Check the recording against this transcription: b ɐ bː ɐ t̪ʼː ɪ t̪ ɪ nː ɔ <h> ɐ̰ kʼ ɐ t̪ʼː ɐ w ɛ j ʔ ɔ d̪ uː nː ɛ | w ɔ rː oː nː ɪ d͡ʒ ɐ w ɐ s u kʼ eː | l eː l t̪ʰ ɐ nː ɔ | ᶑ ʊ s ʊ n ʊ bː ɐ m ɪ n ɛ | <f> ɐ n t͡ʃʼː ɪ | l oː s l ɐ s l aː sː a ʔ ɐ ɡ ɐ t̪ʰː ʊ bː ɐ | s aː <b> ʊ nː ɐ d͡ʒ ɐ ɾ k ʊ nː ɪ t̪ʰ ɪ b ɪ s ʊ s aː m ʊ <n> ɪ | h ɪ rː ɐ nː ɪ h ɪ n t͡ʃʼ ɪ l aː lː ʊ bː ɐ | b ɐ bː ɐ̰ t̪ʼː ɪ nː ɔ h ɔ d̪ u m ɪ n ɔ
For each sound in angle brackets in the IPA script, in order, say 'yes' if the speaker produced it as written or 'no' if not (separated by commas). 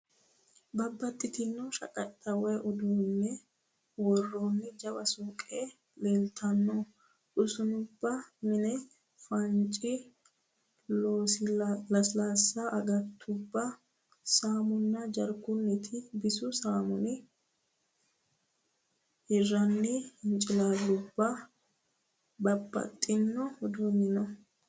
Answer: no, yes, no, yes